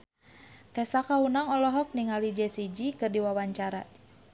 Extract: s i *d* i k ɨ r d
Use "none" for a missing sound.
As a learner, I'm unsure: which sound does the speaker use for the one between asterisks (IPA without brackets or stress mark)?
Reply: d͡ʒ